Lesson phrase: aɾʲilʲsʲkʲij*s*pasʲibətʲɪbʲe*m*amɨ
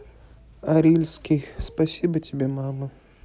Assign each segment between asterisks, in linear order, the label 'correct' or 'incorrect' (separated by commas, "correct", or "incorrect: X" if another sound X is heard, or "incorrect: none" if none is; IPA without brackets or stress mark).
correct, correct